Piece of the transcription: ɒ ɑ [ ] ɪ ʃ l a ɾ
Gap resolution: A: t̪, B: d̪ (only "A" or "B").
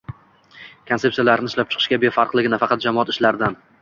A